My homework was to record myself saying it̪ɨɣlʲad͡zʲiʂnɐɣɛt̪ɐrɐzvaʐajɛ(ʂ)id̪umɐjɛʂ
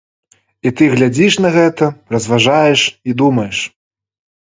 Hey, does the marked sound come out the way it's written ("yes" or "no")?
yes